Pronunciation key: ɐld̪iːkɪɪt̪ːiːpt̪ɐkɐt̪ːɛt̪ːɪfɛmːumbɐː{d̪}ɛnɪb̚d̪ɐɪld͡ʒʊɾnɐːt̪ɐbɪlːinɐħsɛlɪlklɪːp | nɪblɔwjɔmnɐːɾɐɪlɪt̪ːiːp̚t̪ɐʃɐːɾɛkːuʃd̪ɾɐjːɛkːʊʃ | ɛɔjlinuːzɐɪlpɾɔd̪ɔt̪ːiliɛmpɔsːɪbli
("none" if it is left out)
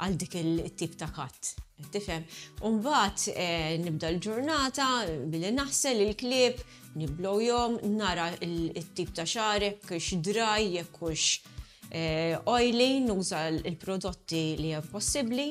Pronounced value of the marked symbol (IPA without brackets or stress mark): t̪